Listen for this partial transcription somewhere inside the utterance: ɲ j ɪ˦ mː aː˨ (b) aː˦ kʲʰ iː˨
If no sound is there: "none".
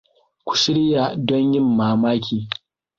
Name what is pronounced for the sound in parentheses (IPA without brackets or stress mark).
m